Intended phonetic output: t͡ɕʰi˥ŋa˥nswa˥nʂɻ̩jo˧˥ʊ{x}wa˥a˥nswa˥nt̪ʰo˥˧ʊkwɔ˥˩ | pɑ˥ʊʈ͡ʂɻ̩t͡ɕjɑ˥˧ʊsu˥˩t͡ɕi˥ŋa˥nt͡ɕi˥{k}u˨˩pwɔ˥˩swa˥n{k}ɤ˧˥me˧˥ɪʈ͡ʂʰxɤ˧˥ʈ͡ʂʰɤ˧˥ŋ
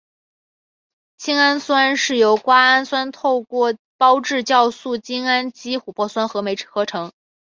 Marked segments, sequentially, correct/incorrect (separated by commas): incorrect, incorrect, incorrect